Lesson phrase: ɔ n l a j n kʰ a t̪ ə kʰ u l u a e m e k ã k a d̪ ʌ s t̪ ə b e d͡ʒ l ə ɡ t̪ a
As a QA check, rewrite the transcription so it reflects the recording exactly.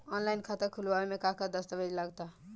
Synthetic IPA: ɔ n l a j n kʰ a t̪ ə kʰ u l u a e m e k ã k a d̪ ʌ s t̪ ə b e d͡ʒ l a ɡ t̪ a